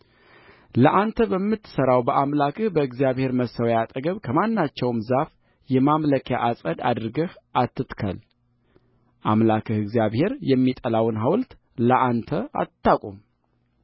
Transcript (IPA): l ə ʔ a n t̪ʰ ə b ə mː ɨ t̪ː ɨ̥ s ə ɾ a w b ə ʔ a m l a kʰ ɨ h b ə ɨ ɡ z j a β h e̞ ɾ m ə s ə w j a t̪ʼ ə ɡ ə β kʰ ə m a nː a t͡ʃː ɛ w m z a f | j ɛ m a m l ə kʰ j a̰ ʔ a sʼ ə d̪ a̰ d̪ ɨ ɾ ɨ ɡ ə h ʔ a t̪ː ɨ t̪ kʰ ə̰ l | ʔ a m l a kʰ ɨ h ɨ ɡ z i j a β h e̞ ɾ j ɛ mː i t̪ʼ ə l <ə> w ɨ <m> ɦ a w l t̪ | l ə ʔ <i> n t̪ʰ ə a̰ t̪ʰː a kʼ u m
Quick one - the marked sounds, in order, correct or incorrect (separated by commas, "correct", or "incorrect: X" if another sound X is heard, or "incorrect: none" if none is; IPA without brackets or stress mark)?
incorrect: a, incorrect: n, incorrect: a